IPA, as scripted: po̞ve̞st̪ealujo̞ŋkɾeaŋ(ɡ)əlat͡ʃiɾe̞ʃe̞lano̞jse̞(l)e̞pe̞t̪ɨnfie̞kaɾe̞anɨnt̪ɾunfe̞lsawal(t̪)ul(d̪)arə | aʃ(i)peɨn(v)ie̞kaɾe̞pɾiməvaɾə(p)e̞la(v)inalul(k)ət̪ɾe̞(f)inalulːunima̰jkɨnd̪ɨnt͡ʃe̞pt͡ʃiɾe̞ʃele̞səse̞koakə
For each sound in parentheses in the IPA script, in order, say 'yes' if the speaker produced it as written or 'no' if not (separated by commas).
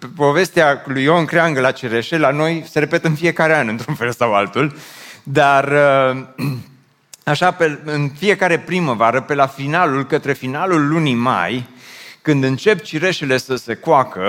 yes, no, yes, yes, no, no, yes, no, yes, yes